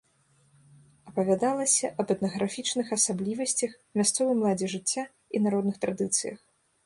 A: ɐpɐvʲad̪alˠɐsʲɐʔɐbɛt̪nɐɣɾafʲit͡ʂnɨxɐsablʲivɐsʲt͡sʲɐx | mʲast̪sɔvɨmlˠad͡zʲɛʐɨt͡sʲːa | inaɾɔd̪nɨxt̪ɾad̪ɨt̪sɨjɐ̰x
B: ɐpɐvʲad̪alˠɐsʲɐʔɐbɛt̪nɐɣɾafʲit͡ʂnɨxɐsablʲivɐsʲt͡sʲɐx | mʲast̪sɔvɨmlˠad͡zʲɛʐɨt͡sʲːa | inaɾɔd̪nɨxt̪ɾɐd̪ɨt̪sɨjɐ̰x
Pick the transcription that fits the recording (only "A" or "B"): A